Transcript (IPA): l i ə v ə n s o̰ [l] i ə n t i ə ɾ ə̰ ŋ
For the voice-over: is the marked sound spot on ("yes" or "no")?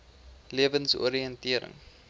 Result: no